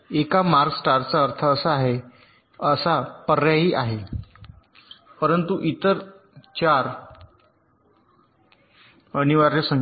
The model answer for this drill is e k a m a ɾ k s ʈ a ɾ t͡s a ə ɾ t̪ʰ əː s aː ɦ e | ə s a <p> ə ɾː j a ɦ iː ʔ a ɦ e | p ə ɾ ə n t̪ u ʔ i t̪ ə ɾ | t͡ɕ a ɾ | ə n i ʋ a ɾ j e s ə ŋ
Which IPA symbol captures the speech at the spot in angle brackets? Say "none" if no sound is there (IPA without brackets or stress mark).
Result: p